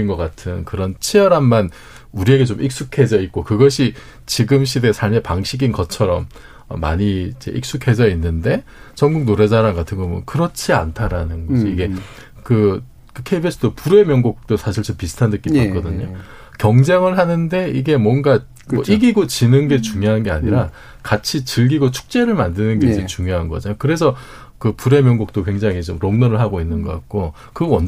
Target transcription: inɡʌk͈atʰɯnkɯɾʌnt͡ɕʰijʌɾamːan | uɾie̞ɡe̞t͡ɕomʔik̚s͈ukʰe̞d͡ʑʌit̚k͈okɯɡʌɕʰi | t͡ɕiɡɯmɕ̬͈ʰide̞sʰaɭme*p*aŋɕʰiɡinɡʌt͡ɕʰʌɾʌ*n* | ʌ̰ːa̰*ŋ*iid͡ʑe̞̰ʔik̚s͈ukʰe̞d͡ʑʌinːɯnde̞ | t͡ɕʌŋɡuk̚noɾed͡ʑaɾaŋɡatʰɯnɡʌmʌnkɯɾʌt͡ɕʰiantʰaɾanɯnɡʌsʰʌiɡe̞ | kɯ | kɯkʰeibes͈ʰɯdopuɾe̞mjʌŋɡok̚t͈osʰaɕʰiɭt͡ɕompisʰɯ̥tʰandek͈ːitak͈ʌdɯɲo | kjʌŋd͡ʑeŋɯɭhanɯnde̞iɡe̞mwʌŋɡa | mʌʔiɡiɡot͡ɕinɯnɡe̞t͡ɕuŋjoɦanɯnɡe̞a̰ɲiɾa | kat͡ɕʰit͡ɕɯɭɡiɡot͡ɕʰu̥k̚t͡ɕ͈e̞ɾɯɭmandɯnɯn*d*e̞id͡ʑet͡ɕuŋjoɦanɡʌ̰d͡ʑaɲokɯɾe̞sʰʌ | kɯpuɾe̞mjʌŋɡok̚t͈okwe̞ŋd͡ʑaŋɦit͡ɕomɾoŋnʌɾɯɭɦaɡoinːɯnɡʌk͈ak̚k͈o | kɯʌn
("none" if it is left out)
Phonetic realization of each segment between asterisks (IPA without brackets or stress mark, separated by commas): p, m, ɲ, ɡ